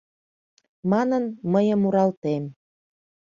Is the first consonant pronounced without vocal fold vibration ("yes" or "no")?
no